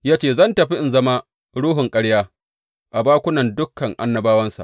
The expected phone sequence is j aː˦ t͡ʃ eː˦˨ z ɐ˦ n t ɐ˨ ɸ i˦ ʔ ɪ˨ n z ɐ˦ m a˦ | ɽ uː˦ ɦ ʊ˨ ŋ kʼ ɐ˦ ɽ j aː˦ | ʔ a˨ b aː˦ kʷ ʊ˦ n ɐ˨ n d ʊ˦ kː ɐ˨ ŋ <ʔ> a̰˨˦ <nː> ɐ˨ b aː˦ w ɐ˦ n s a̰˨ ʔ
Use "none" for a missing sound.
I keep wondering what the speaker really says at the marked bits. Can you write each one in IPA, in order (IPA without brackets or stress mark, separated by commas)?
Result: ʔ, nː